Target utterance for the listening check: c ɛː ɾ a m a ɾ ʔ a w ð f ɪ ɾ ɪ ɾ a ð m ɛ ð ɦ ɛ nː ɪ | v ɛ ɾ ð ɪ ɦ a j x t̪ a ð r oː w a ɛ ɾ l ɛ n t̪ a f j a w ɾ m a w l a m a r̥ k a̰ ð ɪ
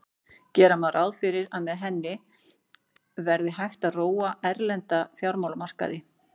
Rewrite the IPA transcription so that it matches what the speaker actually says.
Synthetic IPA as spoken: c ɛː ɾ a m a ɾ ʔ a w ð f ɪ ɾ ɪ ɾ a ð m ɛ ð ɦ ɛ nː ɪ | v ɛ ɾ ð ɪ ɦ a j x t̪ a ð r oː w a ɛ ɾ l ɛ n t̪ a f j a w ɾ m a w l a m a r̥ k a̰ ð ɪ

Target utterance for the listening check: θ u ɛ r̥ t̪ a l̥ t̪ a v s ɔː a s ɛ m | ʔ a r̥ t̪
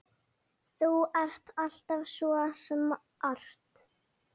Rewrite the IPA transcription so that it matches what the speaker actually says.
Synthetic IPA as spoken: θ u ɛ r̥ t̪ a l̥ t̪ a v s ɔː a s ɛ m | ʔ a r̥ t̪

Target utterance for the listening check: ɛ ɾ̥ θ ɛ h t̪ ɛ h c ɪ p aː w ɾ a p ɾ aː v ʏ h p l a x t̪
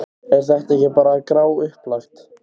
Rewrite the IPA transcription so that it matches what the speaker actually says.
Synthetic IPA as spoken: ɛ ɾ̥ θ ɛ h t̪ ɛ h c ɪ p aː ɾ a k ɾ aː w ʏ h p l a x t̪

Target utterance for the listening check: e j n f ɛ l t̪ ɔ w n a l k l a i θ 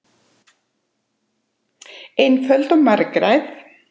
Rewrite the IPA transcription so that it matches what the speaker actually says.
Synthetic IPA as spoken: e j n f œ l t̪ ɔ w m a ɾ k ɾ a j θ

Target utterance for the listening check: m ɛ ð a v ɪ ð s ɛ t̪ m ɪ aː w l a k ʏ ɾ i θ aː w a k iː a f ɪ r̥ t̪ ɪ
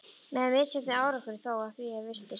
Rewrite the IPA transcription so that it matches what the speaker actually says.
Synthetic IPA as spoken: m ɛ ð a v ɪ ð s ɛ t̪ n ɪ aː w ɾ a k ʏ ɾ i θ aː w a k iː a v ɪ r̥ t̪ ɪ

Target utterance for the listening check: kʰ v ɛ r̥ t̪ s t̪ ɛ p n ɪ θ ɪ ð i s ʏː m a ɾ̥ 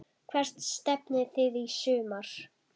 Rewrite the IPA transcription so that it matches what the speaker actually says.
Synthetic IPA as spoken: kʰ v ɛ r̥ t̪ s t̪ ɛ p n ɪ θ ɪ ð i s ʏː m a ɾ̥

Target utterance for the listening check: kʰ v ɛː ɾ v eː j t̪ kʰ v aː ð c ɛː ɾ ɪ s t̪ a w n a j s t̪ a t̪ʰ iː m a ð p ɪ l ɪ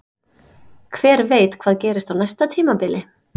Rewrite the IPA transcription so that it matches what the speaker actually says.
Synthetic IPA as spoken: kʰ v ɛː ɾ v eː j t̪ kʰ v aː ð c ɛː ɾ ɪ s t̪ a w n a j s t̪ a t̪ʰ iː m a p ɪ l ɪ

